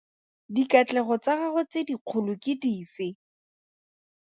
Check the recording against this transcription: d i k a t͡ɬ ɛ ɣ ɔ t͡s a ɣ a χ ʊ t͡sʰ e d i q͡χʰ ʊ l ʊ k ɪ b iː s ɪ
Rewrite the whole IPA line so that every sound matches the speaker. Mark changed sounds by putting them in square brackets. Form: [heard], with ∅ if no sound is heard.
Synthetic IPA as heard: d i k a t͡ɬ ɛ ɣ ɔ t͡s a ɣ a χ ʊ [t͡s] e d i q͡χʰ ʊ l ʊ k ɪ [d] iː [f] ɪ